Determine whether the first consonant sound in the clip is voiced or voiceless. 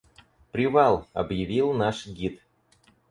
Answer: voiceless